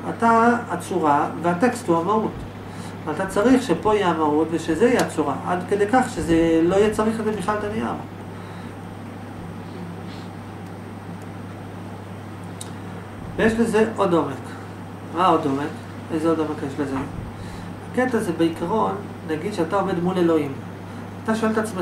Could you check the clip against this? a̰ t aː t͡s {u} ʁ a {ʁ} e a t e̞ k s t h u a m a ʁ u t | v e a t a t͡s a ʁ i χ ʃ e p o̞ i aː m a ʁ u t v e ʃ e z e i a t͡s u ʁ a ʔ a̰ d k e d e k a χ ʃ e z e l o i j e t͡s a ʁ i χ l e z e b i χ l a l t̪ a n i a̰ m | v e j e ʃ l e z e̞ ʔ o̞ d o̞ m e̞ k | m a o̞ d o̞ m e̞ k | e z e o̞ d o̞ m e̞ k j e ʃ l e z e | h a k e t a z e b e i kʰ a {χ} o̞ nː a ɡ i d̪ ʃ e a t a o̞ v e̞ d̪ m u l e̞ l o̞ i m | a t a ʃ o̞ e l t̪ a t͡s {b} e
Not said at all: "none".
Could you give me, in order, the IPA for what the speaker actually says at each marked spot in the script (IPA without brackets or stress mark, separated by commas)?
u, v, ʁ, m